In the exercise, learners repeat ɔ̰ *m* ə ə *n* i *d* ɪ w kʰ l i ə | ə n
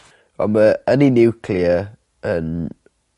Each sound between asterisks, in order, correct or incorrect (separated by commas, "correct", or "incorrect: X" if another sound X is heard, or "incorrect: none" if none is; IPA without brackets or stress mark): correct, correct, incorrect: n